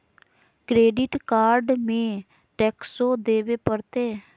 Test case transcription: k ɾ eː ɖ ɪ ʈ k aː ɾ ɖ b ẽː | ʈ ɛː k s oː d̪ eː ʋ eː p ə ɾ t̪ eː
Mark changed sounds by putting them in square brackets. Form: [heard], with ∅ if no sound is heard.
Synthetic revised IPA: k ɾ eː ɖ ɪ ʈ k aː ɾ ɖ [m] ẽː | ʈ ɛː k s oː d̪ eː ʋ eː p ə ɾ t̪ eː